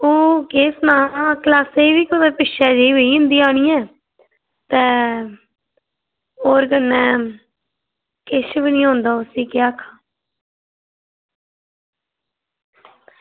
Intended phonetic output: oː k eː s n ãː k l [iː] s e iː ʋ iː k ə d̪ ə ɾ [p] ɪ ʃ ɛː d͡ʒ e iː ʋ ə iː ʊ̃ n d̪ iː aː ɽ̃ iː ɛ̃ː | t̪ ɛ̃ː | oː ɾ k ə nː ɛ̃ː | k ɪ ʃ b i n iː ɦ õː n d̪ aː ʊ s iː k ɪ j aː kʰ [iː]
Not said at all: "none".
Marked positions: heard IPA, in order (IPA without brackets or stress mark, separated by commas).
aː, p, aː